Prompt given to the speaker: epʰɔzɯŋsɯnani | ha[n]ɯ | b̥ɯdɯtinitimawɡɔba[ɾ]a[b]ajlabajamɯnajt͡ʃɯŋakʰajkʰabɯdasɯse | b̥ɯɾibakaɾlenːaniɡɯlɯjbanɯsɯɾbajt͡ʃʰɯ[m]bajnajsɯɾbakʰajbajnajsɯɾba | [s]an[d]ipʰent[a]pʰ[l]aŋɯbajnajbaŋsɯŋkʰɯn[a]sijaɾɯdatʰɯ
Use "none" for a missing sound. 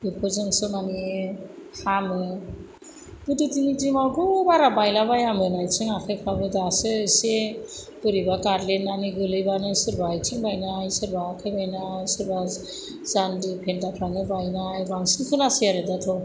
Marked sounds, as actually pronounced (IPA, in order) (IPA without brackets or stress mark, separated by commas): m, ɾ, b, ŋ, z, d, a, ɾ, a